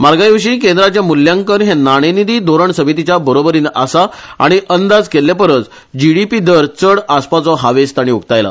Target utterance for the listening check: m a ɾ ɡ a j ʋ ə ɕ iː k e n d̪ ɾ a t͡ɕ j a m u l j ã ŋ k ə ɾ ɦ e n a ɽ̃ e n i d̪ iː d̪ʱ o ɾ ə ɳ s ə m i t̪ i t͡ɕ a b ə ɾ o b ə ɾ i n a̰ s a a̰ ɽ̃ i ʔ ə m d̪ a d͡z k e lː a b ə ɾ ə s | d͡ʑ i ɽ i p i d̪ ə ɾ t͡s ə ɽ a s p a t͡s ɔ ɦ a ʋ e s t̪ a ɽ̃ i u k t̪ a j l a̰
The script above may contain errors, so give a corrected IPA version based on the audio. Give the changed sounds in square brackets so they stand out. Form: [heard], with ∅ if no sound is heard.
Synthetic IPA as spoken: m a ɾ ɡ a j ʋ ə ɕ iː k e n d̪ ɾ a t͡ɕ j a m u l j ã ŋ k ə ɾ ɦ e n a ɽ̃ e n i d̪ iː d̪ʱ o ɾ ə ɳ s ə m i t̪ i t͡ɕ a b ə ɾ o b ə ɾ i n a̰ s a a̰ ɽ̃ i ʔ ə [n] d̪ a d͡z k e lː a [p] ə ɾ ə [t͡s] | d͡ʑ i ɽ i p i d̪ ə ɾ t͡s ə ɽ a s p a t͡s ɔ ɦ a ʋ e s t̪ a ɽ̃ i u k t̪ a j l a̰